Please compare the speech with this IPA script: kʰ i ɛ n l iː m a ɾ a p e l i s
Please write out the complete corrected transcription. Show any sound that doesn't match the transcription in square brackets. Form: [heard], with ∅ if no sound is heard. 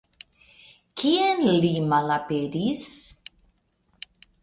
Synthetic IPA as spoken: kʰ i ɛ n l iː m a [l] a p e [ɾ] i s